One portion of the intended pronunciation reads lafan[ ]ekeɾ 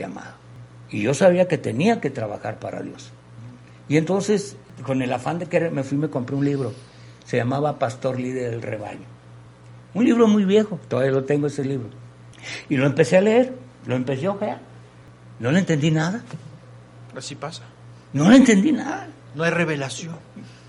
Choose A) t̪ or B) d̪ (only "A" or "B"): B